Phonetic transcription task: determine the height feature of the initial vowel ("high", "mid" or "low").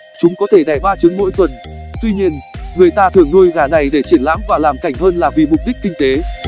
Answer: high